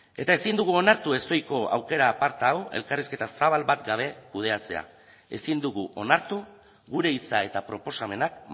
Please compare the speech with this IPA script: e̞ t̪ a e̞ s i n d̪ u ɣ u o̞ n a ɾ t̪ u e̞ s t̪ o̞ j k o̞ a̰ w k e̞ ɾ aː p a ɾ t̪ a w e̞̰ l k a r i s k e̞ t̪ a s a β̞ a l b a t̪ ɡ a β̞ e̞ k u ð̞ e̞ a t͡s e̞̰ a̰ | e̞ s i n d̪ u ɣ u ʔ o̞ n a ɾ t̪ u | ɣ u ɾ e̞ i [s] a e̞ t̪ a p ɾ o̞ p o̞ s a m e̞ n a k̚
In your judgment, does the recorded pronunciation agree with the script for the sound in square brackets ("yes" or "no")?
no